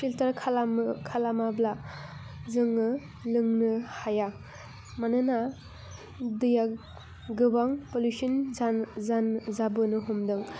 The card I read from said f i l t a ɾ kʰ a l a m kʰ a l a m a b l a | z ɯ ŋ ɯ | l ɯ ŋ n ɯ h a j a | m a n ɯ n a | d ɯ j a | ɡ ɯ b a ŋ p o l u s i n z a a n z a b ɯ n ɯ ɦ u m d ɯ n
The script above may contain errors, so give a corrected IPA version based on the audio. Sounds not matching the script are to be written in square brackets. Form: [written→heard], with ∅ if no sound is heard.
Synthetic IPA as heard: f i l t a ɾ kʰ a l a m kʰ a l a m a b l a | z ɯ ŋ ɯ | l ɯ ŋ n ɯ h a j a | m a n ɯ n a | d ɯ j a | ɡ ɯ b a ŋ p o l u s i n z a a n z a b ɯ n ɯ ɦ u m d ɯ [n→ŋ]